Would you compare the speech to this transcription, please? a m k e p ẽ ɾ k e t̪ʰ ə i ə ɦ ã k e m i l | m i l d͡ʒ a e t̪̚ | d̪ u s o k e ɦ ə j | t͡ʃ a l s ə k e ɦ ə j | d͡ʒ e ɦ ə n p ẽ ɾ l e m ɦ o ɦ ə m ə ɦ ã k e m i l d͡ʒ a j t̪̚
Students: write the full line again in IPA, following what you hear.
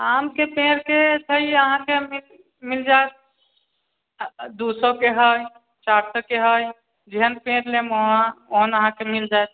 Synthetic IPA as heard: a m k e p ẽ ɾ k e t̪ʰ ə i ə ɦ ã k e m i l | m i l d͡ʒ a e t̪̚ | d̪ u s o k e ɦ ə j | t͡ʃ a ɾ s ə k e ɦ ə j | d͡ʒ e ɦ ə n p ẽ ɾ l e m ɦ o ɦ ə n ə ɦ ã k e m i l d͡ʒ a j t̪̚